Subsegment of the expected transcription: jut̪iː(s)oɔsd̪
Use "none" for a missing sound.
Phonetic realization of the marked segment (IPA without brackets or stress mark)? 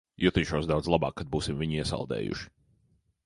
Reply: ʃ